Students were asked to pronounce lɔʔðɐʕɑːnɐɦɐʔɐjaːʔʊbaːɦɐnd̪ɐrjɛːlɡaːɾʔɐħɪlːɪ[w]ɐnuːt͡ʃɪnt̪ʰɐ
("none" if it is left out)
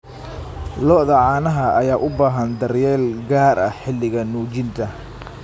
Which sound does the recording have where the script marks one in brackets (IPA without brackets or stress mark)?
ɣ